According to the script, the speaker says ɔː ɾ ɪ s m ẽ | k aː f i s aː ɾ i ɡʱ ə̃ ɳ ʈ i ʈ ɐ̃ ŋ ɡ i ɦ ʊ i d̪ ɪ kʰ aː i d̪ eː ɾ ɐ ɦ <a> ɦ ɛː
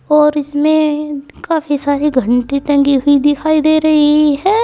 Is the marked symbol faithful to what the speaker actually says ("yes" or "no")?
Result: no